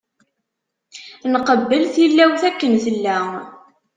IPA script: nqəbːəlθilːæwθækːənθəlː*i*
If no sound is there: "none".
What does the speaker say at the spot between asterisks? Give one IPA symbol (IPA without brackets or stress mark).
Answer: æ